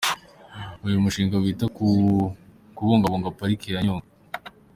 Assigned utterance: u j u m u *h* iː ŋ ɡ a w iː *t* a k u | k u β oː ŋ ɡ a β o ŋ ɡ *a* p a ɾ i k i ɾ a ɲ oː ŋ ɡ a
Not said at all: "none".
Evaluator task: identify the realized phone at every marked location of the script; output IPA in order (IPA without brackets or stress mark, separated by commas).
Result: ʃ, t, a